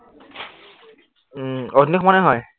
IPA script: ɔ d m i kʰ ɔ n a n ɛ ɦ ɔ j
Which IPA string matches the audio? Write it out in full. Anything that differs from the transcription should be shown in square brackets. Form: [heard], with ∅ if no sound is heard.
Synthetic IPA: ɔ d [n] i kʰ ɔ [m] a n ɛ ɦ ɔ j